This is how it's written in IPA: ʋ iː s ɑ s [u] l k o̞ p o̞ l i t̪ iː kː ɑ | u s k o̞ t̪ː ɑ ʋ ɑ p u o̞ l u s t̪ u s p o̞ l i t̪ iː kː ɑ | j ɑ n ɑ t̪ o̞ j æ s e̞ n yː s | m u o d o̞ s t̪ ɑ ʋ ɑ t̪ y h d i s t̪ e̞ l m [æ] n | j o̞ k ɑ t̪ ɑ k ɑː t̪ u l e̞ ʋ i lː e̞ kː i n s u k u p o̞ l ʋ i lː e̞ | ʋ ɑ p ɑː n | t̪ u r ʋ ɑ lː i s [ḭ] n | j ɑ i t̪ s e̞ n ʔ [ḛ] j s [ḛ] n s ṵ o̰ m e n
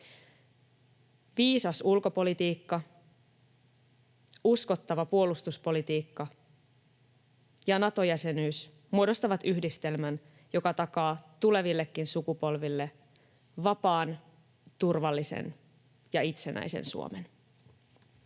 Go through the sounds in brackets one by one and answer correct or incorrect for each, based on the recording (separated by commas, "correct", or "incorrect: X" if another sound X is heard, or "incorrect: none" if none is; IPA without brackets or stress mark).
correct, correct, incorrect: ḛ, incorrect: æ̰, correct